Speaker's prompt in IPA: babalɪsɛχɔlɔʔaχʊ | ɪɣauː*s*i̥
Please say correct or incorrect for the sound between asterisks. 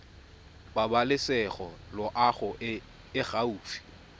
incorrect